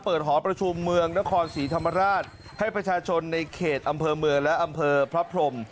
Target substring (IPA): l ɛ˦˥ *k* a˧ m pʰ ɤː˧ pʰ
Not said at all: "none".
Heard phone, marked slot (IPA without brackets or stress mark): ʔ